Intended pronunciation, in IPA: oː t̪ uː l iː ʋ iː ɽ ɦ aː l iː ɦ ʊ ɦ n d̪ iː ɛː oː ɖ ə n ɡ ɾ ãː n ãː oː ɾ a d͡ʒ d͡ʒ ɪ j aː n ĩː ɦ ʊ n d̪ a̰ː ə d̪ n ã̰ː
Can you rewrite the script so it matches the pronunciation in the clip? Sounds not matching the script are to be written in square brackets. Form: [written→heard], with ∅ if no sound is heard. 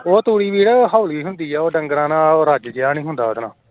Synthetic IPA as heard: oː t̪ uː [l→ɽ] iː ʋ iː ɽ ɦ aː l iː ɦ ʊ [ɦ→∅] n d̪ iː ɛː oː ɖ ə [n→ŋ] ɡ ɾ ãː n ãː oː ɾ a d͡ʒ d͡ʒ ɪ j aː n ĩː ɦ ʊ n d̪ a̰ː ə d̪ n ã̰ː